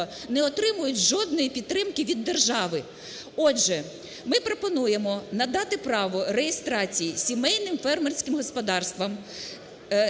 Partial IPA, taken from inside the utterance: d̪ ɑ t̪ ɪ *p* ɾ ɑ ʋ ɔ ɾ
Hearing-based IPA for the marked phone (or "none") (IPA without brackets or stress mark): p